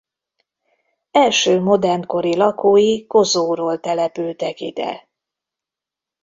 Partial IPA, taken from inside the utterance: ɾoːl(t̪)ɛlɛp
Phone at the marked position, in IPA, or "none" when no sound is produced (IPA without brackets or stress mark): t̪